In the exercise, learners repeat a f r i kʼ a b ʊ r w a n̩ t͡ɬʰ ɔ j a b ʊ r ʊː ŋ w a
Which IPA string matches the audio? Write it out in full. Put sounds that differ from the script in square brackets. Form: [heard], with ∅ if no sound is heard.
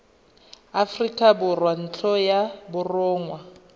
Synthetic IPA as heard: a f r i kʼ a b ʊ r w a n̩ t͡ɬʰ ɔ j a b ʊ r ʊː ŋ w a